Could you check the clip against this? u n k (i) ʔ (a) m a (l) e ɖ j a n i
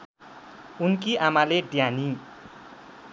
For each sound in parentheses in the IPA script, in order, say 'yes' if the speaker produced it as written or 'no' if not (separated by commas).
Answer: yes, yes, yes